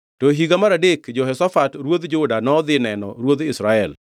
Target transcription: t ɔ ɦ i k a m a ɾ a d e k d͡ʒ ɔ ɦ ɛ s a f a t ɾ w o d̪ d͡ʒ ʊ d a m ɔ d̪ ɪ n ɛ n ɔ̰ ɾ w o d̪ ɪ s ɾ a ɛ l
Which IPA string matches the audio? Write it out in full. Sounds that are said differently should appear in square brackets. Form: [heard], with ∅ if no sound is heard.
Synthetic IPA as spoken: t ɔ ɦ i [ɡ] a m a ɾ a d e k d͡ʒ ɔ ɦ ɛ s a f a t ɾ w o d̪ d͡ʒ ʊ d a [n] ɔ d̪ ɪ n ɛ n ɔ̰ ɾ w o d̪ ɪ s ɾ a ɛ l